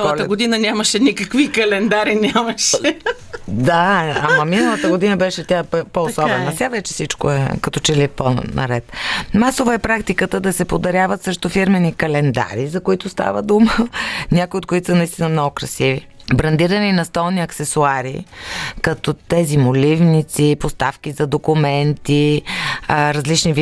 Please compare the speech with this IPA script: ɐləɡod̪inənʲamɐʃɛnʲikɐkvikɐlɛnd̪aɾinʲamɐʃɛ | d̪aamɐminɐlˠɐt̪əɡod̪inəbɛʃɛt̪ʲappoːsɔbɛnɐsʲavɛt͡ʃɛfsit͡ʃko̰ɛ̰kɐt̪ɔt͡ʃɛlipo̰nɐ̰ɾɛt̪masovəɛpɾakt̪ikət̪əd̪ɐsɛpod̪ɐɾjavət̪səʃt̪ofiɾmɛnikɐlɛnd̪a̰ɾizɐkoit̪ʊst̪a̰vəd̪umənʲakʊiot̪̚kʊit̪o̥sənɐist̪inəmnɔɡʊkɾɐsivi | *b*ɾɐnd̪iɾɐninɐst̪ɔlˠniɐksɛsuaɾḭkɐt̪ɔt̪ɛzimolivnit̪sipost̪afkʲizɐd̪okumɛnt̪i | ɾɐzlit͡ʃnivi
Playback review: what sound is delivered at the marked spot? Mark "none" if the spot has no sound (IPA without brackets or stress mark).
b